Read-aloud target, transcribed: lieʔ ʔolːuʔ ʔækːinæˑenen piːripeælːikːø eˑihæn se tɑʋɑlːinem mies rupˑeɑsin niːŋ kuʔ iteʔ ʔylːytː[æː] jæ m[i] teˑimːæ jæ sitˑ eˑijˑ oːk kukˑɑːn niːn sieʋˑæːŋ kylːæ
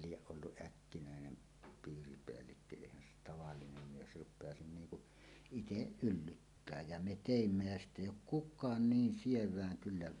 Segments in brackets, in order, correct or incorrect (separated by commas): correct, incorrect